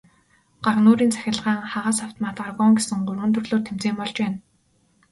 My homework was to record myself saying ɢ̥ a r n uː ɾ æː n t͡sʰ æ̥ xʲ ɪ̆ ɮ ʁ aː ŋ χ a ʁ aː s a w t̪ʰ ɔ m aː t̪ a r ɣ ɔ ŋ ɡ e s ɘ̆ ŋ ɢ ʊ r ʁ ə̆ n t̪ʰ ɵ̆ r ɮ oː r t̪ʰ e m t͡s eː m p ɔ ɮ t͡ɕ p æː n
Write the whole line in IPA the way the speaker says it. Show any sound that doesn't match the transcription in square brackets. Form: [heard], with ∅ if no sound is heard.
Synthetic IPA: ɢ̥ a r n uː ɾ [iː] n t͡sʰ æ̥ xʲ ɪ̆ ɮ ʁ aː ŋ χ a ʁ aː s a w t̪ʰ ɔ m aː t̪ a r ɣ ɔ ŋ ɡ e s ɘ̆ ŋ ɢ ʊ r ʁ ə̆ n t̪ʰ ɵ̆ r ɮ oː r t̪ʰ e m t͡s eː m p ɔ ɮ t͡ɕ p æː n